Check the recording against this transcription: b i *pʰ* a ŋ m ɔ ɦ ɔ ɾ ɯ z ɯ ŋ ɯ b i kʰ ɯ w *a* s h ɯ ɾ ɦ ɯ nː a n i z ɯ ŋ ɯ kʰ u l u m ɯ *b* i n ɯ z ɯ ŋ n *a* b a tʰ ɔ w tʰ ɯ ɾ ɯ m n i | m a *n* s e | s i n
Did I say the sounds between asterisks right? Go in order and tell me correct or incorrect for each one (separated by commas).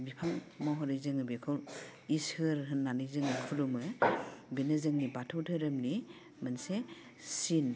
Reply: correct, incorrect, correct, incorrect, correct